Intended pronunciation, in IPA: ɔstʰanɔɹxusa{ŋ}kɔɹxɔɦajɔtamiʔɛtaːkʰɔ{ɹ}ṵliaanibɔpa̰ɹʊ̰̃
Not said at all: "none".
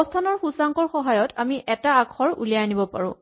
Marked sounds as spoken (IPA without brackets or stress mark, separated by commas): ŋ, ɹ